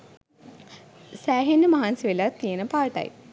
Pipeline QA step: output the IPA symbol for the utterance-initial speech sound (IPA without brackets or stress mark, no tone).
s